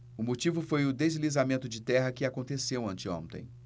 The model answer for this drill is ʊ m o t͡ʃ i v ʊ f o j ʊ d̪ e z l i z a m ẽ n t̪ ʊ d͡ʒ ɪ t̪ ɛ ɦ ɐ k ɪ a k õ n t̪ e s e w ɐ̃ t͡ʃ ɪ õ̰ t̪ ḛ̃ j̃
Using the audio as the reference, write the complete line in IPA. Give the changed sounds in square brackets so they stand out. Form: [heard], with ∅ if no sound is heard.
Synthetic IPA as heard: ʊ m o t͡ʃ i v ʊ f o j ʊ d̪ e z l i z a m ẽ n t̪ ʊ d͡ʒ ɪ t̪ ɛ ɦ ɐ k ɪ a k õ n t̪ e s e w ɐ̃ t͡ʃ ɪ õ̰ t̪ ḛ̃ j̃